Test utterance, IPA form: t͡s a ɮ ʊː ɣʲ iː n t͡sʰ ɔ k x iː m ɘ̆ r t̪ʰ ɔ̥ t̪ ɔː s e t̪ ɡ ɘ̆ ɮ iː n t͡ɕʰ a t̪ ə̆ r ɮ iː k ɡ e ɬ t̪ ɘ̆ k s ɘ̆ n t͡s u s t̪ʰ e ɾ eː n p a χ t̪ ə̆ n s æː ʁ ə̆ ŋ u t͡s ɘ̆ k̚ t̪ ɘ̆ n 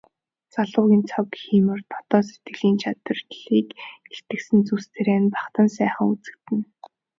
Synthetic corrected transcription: t͡s a ɮ ʊː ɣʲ iː n t͡sʰ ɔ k x iː m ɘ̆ r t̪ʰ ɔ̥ t̪ ɔː s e t̪ ɡ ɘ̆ ɮ iː n t͡ɕʰ a t̪ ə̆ r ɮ iː k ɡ e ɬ t̪ ɘ̆ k s ɘ̆ n t͡s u s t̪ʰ e ɾ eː n p a χ t̪ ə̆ n s æː χ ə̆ ŋ u t͡s ɘ̆ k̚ t̪ ɘ̆ n